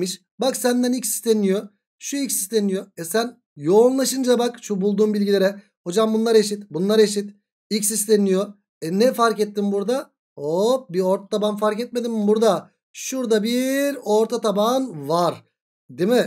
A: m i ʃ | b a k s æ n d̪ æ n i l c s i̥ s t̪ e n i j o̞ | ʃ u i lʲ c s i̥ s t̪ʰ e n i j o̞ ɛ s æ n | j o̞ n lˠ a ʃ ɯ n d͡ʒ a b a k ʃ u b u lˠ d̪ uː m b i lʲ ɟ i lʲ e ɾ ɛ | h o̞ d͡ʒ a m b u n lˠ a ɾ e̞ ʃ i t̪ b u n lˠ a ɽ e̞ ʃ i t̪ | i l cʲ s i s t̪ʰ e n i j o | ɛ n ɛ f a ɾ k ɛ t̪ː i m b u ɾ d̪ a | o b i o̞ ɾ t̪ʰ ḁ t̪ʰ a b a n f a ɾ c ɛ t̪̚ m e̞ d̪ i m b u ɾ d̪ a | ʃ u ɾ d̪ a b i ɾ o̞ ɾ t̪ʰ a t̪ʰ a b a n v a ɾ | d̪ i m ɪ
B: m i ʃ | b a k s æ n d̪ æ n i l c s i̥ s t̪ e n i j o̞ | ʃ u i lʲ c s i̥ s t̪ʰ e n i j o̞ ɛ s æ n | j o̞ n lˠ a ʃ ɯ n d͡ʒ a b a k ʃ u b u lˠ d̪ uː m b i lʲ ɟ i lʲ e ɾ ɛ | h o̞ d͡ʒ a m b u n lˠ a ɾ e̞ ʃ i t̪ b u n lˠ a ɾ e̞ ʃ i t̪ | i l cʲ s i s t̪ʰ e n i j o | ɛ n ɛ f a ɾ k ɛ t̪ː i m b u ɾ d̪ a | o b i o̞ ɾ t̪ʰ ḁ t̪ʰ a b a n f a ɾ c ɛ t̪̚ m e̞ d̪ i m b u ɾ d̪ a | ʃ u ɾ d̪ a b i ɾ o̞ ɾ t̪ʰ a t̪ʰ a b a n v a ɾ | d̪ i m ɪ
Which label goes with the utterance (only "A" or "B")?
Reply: B